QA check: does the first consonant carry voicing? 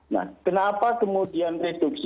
yes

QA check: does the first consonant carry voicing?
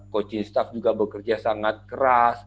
no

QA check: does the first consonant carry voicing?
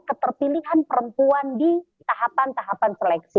no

